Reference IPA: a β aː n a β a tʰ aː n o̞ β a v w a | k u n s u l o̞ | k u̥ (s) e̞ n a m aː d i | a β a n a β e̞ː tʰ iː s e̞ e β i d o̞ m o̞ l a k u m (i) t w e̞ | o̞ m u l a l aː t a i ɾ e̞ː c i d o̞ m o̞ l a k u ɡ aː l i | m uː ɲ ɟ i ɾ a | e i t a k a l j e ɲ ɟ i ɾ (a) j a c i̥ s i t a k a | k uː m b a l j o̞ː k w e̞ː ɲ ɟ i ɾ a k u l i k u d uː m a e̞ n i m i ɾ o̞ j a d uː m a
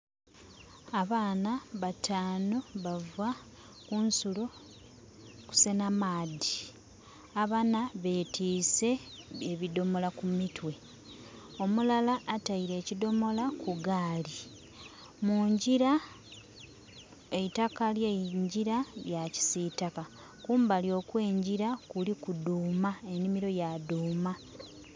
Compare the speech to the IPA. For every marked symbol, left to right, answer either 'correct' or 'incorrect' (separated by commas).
correct, correct, correct